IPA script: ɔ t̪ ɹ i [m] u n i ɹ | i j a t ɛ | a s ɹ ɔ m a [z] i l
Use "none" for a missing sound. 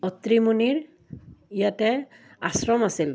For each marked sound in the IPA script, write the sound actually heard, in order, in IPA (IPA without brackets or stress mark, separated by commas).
m, s